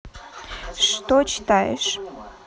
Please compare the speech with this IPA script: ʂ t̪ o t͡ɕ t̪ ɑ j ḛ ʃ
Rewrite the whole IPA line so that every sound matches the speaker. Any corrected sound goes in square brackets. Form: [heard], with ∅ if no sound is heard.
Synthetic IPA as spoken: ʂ t̪ o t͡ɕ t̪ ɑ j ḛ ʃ